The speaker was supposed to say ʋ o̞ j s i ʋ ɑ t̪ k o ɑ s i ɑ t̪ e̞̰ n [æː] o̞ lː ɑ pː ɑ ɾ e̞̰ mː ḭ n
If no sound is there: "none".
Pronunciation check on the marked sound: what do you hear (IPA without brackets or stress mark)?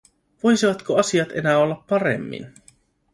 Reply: æː